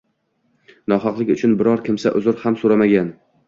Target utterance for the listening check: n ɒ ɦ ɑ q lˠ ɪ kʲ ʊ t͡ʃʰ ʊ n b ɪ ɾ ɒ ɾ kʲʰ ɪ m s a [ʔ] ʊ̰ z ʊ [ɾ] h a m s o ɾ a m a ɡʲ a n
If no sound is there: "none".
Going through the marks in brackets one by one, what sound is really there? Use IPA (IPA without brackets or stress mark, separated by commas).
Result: ʔ, ɾ